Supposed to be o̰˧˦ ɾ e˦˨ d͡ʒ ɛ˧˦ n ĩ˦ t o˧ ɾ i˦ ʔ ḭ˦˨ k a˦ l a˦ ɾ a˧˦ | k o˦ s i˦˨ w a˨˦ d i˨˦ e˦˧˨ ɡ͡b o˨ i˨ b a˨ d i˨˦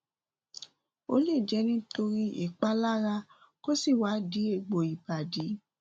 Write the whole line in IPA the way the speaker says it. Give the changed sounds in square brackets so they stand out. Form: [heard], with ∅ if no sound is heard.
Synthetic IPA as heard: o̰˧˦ [l] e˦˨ d͡ʒ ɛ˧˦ n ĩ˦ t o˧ ɾ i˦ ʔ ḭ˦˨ [k͡p] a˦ l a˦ ɾ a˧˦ | k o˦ s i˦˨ w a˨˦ d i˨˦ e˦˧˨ ɡ͡b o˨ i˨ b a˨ d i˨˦